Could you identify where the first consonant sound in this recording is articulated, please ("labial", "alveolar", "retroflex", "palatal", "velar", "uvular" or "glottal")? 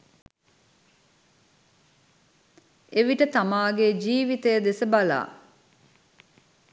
labial